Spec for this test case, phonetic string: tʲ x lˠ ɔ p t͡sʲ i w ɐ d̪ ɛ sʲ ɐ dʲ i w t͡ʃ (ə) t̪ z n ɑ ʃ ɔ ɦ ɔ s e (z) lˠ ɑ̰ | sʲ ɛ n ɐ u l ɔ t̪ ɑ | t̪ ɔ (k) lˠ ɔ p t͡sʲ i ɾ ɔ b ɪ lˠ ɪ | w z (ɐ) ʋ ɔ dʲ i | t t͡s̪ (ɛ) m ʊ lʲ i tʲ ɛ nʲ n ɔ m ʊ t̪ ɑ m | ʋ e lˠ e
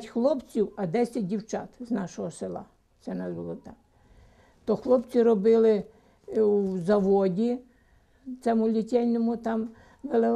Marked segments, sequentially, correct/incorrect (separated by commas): incorrect, incorrect, incorrect, correct, correct